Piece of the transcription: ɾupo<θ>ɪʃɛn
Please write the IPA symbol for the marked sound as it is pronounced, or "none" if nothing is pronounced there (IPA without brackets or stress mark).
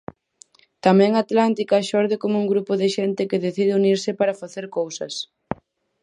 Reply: ð